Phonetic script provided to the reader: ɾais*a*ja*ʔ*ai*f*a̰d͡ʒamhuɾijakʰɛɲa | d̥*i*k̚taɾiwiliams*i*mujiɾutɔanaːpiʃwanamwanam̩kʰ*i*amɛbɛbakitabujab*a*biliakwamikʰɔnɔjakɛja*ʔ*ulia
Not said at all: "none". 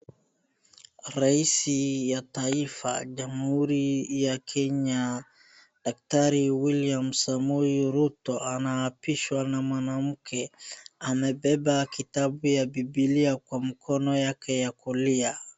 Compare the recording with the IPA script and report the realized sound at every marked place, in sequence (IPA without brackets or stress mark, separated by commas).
i, t, f, a, a, ɛ, i, k